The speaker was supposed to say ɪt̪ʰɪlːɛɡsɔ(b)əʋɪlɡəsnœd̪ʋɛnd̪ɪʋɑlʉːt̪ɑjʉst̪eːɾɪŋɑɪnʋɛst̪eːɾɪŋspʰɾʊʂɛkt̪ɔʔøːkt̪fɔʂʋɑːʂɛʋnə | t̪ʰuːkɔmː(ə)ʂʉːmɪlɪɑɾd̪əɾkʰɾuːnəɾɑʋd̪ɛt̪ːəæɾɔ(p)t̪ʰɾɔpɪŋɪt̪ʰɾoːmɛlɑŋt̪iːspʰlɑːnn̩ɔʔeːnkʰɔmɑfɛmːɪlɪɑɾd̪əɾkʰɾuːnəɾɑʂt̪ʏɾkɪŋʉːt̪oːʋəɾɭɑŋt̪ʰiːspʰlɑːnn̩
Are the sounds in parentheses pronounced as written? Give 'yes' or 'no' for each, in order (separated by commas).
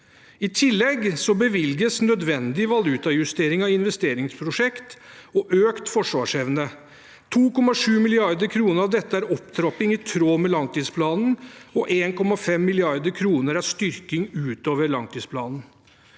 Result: yes, no, yes